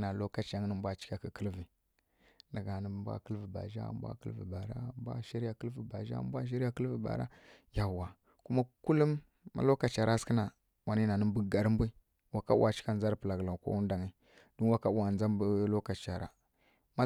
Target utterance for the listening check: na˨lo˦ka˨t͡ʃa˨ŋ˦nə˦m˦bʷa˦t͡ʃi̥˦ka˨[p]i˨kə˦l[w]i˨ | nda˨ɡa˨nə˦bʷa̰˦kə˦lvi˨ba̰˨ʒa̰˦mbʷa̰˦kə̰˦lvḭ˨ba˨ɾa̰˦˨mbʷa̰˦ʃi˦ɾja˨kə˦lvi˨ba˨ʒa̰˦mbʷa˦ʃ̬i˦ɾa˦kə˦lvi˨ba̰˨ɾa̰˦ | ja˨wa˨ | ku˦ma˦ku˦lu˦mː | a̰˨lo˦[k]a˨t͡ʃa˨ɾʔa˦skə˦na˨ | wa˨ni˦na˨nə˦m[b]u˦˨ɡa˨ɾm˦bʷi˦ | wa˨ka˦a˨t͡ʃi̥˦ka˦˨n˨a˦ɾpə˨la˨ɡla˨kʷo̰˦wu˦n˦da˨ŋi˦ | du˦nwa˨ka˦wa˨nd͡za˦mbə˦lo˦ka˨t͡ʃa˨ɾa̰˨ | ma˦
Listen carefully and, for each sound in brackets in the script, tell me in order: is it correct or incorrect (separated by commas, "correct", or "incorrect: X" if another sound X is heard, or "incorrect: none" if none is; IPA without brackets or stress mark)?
incorrect: k, incorrect: v, correct, correct